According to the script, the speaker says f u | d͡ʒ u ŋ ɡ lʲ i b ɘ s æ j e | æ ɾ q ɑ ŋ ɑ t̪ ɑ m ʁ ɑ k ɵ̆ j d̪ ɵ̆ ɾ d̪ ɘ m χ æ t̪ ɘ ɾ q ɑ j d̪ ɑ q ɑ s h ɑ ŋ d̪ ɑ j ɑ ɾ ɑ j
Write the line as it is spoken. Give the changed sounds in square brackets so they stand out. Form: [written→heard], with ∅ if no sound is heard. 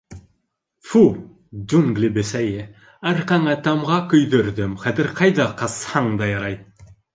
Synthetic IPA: f u | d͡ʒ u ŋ ɡ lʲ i b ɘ s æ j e | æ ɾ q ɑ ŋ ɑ t̪ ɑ m ʁ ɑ k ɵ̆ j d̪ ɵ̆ ɾ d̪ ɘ m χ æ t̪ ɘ ɾ q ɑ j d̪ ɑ q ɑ s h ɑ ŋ d̪ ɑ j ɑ ɾ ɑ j